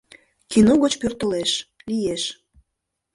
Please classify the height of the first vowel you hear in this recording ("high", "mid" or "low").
high